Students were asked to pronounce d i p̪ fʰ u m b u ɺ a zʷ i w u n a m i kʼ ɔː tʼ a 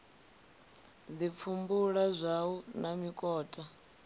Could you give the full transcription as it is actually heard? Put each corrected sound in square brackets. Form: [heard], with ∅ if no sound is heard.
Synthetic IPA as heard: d i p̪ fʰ u m b u ɺ a zʷ [a] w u n a m i kʼ ɔː tʼ a